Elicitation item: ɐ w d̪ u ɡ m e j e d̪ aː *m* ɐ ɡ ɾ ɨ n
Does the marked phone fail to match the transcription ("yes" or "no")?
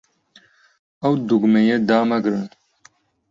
no